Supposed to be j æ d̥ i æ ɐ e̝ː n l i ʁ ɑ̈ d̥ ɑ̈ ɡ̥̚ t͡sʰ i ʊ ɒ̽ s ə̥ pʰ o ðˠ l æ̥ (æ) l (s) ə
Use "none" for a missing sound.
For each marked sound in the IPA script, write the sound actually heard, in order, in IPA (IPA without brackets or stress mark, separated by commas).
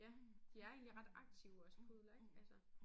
æ, s